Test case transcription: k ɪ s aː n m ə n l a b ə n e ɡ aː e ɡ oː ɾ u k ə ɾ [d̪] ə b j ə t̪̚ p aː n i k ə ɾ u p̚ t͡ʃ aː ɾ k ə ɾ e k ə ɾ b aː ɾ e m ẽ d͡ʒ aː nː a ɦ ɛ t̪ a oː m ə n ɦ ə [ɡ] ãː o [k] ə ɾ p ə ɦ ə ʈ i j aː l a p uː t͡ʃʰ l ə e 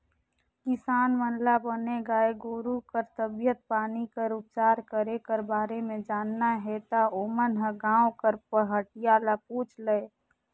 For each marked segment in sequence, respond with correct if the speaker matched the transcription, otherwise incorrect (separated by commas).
incorrect, correct, correct